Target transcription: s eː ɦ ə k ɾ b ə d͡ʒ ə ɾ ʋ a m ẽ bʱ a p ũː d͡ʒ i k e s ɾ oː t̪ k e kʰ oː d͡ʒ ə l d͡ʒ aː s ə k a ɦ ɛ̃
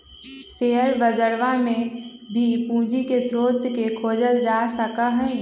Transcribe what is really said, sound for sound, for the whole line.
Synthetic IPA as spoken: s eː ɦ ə ɾ b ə d͡ʒ ə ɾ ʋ a m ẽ bʱ i p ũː d͡ʒ i k e s ɾ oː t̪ k e kʰ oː d͡ʒ ə l d͡ʒ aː s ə k a ɦ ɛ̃